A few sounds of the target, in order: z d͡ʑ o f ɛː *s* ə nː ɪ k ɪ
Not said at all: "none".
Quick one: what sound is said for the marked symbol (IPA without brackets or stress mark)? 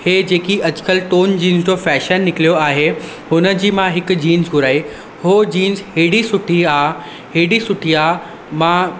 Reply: ʃ